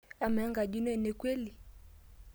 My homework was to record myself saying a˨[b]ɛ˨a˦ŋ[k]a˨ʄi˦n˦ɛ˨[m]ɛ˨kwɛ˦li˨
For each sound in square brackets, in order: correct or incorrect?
incorrect: m, incorrect: ɡ, incorrect: n

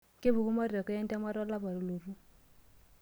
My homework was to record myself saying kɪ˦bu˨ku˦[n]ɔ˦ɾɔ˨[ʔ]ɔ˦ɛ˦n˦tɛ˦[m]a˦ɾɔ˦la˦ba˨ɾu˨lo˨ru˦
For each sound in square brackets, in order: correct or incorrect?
incorrect: m, incorrect: k, correct

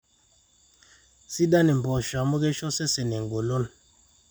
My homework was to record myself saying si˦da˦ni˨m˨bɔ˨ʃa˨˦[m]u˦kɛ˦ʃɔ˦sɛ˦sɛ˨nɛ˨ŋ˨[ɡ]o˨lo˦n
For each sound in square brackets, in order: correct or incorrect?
correct, correct

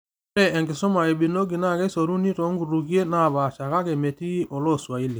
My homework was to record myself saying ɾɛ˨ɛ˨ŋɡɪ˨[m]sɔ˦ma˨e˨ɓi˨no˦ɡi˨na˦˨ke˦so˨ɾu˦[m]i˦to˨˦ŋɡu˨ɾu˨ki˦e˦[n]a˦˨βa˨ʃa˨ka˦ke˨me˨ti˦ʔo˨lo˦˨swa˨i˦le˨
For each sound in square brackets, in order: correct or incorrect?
incorrect: none, incorrect: n, correct

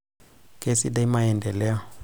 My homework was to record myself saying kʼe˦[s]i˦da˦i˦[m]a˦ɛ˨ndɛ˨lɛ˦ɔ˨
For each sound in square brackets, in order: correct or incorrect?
correct, correct

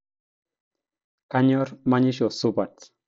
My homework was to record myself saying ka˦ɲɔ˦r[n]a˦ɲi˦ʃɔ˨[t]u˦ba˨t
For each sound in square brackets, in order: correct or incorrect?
incorrect: m, incorrect: s

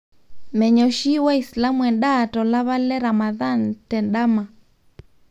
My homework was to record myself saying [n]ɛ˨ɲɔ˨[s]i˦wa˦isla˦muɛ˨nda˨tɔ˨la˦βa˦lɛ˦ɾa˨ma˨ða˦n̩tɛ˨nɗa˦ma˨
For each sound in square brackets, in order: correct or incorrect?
incorrect: m, incorrect: ʃ

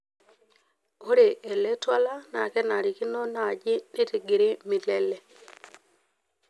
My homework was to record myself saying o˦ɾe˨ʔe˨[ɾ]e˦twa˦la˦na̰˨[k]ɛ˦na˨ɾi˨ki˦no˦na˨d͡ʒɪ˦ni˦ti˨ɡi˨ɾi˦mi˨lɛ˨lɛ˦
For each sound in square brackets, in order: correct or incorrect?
incorrect: l, correct

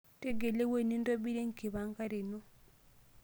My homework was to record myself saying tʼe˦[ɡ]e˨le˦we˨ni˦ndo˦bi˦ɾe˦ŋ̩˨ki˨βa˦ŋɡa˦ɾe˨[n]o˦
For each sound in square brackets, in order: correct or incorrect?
correct, correct

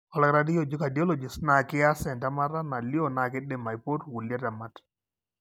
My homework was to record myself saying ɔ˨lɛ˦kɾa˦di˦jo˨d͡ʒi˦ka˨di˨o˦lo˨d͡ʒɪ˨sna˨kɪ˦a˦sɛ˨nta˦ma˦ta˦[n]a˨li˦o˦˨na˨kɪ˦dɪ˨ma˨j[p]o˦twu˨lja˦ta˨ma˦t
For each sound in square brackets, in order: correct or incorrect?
correct, correct

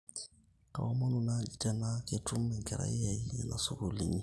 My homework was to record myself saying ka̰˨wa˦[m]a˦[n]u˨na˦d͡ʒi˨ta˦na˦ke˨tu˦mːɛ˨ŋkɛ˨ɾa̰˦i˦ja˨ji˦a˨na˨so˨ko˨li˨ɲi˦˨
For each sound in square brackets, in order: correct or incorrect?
correct, correct

